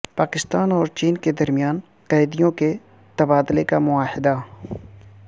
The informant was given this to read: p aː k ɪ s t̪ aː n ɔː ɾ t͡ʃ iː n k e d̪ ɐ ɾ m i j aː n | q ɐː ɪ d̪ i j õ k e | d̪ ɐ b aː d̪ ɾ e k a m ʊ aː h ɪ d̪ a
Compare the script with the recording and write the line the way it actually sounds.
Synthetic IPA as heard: p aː k ɪ s t̪ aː n ɔː ɾ t͡ʃ iː n k e d̪ ɐ ɾ m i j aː n | q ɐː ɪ d̪ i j õ k e | t̪ ɐ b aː d̪ l e k a m ʊ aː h ɪ d̪ a